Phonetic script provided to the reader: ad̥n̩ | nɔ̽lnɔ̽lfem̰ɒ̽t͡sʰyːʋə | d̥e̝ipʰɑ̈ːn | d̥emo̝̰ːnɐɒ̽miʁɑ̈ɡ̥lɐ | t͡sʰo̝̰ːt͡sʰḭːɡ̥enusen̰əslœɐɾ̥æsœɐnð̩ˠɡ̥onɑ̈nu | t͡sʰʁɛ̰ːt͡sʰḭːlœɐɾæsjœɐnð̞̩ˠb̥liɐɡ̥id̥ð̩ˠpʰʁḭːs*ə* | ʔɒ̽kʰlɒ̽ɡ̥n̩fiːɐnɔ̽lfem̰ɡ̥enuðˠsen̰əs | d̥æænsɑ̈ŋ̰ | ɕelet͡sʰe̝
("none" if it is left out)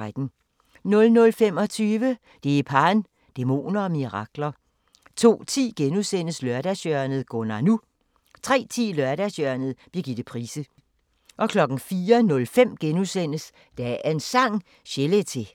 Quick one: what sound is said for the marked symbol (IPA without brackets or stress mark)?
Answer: ə